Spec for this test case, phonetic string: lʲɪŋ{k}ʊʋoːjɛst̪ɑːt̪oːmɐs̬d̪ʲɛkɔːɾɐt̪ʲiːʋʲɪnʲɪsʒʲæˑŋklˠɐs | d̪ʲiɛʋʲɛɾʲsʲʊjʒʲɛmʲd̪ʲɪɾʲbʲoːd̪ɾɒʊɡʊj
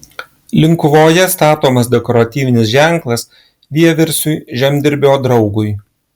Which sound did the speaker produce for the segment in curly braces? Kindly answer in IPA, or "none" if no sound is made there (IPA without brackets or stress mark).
k